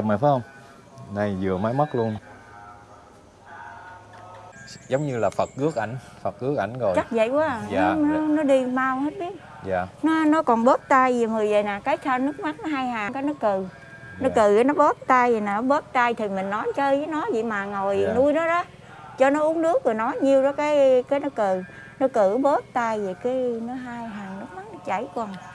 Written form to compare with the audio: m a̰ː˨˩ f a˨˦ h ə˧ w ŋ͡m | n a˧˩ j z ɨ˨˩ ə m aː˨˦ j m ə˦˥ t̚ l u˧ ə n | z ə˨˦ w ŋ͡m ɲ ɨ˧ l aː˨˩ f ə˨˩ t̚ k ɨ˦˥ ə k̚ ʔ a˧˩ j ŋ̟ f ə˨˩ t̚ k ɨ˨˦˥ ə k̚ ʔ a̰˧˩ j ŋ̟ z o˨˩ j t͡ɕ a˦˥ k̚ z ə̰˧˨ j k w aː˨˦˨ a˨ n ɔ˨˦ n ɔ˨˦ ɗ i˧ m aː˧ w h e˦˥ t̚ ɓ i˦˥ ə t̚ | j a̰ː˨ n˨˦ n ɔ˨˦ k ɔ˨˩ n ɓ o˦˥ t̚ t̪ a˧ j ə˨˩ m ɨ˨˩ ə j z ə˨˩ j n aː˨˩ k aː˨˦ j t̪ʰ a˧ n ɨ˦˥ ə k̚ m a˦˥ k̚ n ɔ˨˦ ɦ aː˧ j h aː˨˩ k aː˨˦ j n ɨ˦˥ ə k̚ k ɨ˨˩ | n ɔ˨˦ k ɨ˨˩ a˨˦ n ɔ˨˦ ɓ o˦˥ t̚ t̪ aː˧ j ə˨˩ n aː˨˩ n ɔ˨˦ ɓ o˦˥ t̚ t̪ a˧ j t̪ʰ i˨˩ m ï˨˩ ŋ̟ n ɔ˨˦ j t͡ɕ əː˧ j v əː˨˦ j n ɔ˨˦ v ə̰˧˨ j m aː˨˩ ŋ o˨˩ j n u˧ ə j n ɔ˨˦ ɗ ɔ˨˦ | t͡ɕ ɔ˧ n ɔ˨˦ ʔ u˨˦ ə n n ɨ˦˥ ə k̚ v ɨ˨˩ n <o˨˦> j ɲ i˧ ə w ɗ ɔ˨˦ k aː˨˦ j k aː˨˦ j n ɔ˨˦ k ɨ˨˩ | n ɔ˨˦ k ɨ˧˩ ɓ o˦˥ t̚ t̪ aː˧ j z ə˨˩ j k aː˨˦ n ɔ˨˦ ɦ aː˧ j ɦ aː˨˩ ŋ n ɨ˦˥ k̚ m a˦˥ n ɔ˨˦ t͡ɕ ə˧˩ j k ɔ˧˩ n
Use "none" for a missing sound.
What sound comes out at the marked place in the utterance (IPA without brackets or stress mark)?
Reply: ɔ˨˦